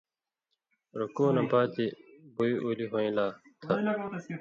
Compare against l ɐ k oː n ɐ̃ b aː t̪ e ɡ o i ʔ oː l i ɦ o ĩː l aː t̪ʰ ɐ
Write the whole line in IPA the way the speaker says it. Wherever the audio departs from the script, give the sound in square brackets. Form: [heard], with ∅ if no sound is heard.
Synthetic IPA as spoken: [ɾ] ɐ k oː n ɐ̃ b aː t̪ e [b] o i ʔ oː l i ɦ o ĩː l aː t̪ʰ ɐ